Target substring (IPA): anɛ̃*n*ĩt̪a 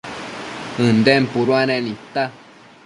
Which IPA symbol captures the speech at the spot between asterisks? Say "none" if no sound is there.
n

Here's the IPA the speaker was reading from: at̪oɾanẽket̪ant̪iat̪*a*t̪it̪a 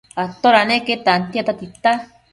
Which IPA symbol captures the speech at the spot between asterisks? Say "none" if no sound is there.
a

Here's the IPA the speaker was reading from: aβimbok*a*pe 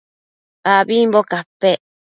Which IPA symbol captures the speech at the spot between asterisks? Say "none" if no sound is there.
a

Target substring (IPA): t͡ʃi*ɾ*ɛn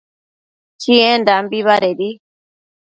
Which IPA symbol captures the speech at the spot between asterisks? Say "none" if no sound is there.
none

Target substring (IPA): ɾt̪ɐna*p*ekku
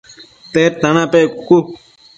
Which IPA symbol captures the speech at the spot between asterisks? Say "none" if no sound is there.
p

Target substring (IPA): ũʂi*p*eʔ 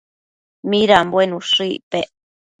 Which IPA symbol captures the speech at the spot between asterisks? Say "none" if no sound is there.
p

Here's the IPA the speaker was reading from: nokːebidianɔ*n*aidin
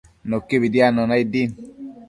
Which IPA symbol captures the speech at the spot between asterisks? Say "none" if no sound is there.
n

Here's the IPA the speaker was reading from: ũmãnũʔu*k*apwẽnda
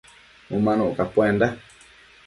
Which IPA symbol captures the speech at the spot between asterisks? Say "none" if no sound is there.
k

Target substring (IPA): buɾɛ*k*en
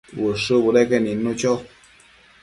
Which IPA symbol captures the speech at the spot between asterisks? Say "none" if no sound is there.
k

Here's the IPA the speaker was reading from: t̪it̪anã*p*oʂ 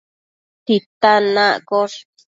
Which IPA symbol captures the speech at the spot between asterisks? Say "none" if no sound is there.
k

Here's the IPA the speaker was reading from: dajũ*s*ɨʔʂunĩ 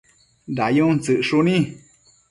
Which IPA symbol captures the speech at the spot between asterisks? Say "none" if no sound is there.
t͡s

